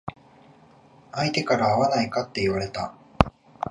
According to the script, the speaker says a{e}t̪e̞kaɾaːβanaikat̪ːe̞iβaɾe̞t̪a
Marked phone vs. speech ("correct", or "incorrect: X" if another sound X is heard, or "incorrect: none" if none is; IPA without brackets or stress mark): incorrect: i